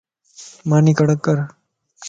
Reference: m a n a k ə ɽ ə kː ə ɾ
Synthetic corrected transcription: m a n i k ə ɽ ə kː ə ɾ